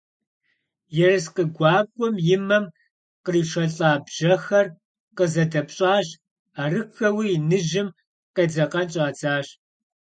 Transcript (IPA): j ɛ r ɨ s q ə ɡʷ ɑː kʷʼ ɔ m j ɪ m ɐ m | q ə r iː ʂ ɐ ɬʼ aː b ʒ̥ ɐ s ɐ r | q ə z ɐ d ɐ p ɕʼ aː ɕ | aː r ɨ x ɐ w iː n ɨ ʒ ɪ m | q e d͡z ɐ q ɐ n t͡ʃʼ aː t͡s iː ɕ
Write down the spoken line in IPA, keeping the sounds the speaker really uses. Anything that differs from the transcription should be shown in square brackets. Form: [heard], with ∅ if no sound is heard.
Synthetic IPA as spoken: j ɛ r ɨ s q ə ɡʷ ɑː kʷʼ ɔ m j ɪ m ɐ m | q ə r iː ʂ ɐ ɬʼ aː b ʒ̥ ɐ [x] ɐ r | q ə z ɐ d ɐ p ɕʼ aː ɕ | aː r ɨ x ɐ w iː n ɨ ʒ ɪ m | q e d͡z ɐ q ɐ n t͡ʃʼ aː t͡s [aː] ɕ